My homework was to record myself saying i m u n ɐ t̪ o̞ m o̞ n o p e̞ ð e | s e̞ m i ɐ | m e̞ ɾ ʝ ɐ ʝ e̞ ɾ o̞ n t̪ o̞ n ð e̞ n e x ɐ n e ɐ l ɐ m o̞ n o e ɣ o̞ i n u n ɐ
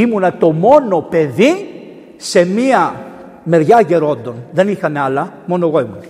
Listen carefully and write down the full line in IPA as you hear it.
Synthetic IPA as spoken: i m u n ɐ t̪ o̞ m o̞ n o p e̞ ð i | s e̞ m i ɐ | m e̞ ɾ ʝ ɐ ʝ e̞ ɾ o̞ n d̪ o̞ n ð e̞ n i x ɐ n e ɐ l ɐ m o̞ n o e ɣ o̞ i m u n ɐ